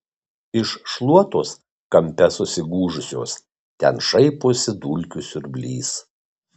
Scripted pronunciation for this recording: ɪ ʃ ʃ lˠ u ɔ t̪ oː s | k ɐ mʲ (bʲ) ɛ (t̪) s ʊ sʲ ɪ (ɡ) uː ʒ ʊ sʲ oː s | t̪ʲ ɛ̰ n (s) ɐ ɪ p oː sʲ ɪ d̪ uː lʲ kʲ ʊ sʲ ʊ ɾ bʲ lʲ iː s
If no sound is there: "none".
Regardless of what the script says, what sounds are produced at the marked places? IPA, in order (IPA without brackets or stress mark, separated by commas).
pʲ, none, ɡ, ʃ